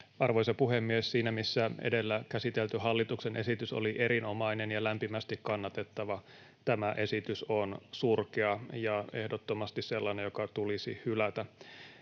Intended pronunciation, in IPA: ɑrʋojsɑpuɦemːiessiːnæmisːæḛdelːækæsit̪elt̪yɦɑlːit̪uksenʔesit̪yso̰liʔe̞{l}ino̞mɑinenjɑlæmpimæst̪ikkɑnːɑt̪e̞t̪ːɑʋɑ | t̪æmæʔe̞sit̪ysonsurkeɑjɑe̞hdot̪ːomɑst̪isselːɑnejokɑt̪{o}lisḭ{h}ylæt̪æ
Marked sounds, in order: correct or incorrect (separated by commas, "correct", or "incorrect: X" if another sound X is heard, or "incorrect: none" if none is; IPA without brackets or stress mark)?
incorrect: ɾ, incorrect: u, correct